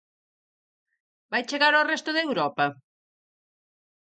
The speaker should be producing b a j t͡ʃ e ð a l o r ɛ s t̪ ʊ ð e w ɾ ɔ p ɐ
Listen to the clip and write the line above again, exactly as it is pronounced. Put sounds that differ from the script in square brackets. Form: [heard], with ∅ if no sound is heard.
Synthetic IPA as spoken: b a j t͡ʃ e [ɣ] a [ɾ] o r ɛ s t̪ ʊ ð e w ɾ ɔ p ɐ